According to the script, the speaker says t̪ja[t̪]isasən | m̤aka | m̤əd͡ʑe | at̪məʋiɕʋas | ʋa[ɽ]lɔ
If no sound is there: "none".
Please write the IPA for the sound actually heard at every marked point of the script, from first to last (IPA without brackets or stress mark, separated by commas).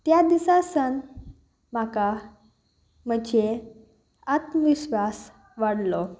d̪, ɽ